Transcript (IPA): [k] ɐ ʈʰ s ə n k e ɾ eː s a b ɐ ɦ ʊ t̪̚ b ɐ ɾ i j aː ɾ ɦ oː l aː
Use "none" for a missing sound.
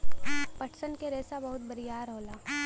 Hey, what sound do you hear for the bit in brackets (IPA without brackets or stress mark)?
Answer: p